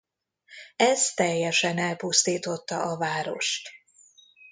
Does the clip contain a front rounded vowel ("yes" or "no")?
no